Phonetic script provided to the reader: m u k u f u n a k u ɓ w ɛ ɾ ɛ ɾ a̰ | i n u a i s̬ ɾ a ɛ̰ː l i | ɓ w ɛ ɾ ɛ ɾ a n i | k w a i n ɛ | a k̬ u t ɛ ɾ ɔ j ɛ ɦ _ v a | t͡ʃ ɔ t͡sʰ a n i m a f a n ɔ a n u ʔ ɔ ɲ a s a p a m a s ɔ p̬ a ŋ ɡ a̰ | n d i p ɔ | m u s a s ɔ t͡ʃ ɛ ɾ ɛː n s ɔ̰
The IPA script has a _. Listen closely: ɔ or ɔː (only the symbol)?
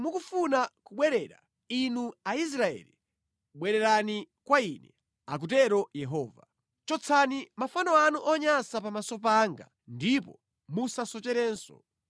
ɔː